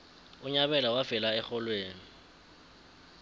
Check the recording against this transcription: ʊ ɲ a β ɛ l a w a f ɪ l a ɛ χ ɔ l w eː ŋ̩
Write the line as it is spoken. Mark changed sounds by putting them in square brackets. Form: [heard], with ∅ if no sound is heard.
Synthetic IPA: ʊ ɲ a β ɛ l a w a f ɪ l a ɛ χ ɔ l w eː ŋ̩